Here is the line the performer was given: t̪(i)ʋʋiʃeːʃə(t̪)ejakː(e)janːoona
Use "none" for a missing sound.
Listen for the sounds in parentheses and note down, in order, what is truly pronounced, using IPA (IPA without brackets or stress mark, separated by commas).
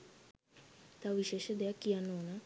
a, d̪, i